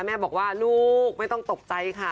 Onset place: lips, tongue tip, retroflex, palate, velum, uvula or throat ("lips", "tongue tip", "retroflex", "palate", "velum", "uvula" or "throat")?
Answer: lips